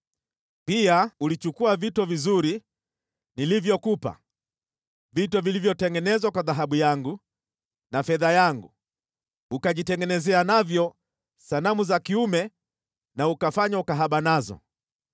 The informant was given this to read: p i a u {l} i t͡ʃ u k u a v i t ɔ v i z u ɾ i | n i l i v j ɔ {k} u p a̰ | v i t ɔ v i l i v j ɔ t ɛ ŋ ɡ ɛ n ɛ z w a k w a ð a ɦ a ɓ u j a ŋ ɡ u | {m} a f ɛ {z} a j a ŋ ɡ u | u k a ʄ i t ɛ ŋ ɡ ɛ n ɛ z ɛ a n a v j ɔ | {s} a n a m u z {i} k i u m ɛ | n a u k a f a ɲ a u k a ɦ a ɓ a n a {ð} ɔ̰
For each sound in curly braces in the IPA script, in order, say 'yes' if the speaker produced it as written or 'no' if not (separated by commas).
yes, yes, no, no, yes, no, no